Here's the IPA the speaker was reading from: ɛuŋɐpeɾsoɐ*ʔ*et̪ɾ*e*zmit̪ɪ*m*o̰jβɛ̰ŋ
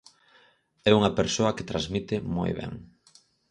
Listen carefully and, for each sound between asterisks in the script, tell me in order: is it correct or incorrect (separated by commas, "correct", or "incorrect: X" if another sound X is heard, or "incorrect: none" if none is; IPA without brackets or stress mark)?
incorrect: k, incorrect: a, correct